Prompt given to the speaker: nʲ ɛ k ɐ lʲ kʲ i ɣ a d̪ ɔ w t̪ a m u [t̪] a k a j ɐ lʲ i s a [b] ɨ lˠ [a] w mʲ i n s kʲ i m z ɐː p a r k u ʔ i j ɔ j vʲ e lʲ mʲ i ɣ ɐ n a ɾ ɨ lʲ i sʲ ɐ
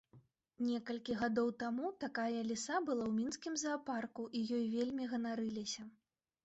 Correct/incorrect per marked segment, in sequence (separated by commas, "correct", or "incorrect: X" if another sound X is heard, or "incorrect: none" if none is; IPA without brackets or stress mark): correct, correct, correct